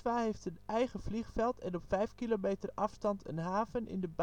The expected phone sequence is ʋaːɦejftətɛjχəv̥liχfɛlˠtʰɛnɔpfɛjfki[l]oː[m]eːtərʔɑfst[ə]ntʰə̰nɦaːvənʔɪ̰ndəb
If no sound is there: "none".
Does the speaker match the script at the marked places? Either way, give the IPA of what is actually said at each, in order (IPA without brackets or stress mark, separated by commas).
l, m, ɑ